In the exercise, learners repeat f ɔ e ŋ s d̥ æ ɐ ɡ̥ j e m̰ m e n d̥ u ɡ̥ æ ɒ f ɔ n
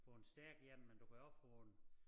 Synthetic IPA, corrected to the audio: f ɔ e n s d̥ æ ɐ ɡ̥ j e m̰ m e n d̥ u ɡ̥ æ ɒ f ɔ n